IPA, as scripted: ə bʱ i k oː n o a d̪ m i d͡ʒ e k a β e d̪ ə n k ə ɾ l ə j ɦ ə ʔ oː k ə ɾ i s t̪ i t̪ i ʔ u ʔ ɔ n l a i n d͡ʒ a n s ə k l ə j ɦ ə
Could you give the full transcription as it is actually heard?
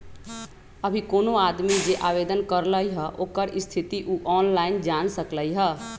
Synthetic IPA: ə bʱ i k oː n o a d̪ m i d͡ʒ e ʔ a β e d̪ ə n k ə ɾ l ə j ɦ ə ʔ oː k ə ɾ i s t̪ʰ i t̪ i ʔ u ʔ ɔ n l a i n d͡ʒ a n s ə k l ə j ɦ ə